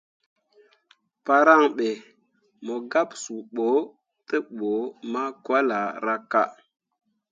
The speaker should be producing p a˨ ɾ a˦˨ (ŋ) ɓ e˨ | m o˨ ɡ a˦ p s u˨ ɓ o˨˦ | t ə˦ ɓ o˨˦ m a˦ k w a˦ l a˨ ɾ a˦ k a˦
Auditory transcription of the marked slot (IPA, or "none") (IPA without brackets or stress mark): ŋ